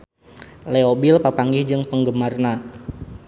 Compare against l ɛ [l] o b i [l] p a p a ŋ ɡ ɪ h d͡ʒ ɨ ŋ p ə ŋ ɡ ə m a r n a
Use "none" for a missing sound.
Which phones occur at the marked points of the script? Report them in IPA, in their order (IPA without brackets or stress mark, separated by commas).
none, l